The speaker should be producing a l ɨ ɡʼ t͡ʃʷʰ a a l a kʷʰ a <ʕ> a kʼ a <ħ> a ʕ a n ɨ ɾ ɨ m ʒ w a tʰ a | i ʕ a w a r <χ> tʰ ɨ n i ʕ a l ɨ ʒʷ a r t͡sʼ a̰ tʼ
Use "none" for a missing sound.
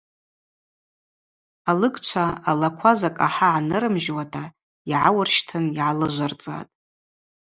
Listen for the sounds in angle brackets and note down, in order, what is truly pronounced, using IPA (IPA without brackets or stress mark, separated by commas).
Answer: z, ħ, ʃ